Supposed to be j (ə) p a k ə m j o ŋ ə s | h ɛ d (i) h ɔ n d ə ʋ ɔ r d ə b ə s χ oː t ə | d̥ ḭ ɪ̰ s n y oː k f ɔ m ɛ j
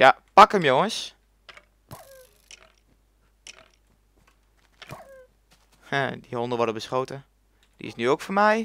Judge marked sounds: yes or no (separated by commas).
no, yes